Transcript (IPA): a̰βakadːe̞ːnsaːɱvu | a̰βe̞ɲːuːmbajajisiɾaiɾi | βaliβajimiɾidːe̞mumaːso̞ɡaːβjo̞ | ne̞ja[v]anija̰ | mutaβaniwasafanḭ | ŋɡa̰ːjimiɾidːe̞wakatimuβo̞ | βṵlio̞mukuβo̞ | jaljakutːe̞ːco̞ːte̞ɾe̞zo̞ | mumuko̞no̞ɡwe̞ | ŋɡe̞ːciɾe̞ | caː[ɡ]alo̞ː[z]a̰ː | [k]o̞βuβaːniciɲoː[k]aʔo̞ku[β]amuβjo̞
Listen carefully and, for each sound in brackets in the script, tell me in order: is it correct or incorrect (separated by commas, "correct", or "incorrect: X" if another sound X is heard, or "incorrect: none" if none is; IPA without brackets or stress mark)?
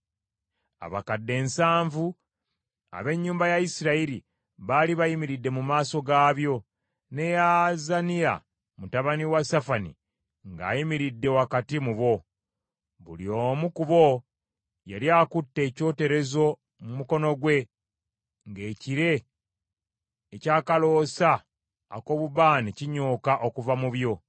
incorrect: z, incorrect: k, incorrect: s, correct, correct, incorrect: v